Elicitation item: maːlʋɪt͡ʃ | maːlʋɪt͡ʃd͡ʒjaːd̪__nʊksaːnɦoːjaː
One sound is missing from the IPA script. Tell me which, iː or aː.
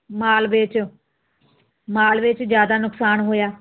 aː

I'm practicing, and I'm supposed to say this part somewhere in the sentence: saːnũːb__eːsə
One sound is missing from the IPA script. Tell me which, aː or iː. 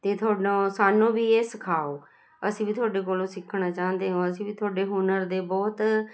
iː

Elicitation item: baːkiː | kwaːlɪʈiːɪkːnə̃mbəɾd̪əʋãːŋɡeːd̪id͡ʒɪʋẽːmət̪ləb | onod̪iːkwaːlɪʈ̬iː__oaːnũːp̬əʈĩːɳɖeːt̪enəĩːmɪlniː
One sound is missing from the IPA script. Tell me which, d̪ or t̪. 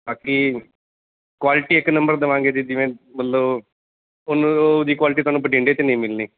t̪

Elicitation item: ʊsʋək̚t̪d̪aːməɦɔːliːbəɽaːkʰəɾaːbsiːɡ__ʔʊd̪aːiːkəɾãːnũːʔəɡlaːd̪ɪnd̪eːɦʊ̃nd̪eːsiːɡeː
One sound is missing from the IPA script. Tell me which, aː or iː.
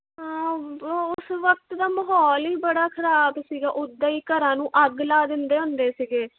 aː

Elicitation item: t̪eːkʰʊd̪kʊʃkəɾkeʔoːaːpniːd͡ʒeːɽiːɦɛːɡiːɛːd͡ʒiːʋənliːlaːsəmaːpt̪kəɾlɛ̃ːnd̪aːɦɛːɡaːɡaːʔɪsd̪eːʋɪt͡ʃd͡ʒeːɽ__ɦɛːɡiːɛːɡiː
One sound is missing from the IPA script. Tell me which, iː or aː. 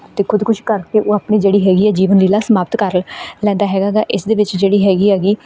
iː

